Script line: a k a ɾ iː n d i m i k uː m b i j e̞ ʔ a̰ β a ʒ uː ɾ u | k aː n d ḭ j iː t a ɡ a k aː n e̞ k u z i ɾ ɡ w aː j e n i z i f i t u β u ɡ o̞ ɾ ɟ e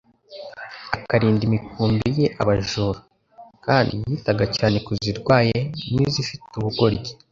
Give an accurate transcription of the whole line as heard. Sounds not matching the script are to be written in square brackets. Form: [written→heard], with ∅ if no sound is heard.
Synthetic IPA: a k a ɾ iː n d i m i k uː m b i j e̞ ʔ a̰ β a ʒ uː ɾ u | k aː n d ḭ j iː t a ɡ a [k→c] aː n e̞ k u z i ɾ ɡ w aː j e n i z i f i t u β u ɡ o̞ ɾ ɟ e